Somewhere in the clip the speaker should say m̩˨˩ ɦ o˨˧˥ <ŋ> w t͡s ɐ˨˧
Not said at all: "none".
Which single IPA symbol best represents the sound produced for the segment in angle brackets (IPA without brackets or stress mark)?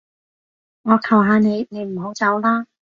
none